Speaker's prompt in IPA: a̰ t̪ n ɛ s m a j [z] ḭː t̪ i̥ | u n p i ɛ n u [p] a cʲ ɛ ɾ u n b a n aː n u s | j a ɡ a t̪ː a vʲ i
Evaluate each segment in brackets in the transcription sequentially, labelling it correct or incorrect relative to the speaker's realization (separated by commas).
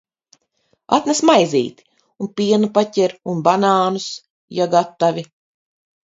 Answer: correct, correct